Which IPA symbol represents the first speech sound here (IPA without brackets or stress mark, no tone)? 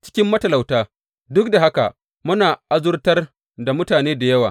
t͡ʃ